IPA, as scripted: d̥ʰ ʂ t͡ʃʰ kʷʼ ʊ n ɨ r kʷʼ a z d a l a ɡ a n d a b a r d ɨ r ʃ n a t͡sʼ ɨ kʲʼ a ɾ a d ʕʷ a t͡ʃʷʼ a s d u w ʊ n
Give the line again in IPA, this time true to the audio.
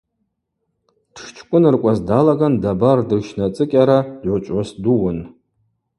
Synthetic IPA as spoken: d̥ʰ ʂ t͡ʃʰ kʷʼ ʊ n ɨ r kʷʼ a z d a l a ɡ a n d a b a r d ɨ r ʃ n a t͡sʼ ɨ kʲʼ a ɾ a d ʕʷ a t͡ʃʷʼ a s d u w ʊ n